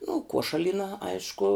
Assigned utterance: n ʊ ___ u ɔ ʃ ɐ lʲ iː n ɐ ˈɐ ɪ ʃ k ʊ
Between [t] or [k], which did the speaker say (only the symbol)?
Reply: k